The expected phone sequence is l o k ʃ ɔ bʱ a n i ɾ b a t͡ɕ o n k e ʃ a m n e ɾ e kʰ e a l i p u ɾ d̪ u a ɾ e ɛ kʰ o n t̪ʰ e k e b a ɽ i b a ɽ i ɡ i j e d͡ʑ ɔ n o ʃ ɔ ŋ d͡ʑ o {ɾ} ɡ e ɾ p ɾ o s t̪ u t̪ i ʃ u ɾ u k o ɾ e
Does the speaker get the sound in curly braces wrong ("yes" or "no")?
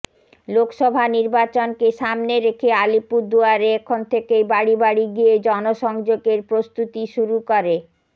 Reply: yes